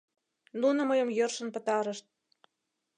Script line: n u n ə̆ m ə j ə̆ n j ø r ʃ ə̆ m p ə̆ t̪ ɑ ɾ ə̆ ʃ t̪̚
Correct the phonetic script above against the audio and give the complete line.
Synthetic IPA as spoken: n u n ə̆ m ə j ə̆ m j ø r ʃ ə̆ n p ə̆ t̪ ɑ ɾ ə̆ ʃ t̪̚